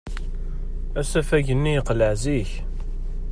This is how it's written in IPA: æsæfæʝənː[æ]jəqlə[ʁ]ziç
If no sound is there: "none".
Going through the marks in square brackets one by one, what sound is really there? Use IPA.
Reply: i, ʕ

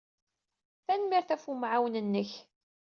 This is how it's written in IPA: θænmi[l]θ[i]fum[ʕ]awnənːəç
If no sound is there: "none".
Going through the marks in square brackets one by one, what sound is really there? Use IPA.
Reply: ɾ, æ, ʕ

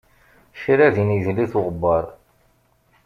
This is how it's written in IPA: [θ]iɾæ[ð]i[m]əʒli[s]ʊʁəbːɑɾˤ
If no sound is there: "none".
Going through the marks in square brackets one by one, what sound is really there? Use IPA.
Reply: ʃ, ð, n, θ

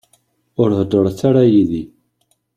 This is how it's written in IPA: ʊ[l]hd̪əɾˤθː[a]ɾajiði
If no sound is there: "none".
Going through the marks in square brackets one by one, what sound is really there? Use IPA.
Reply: ɾ, a

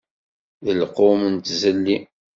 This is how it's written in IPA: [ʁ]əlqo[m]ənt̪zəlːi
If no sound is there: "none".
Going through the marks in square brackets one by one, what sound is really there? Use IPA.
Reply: ð, m

